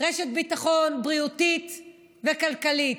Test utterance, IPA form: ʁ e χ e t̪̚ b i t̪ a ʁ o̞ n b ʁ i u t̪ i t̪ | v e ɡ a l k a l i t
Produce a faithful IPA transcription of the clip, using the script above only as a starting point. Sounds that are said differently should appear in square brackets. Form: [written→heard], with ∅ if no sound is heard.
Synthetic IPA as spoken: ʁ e [χ→ʃ] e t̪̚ b i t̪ a [ʁ→χ] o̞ n b ʁ i u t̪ i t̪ | v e [ɡ→k] a l k a l i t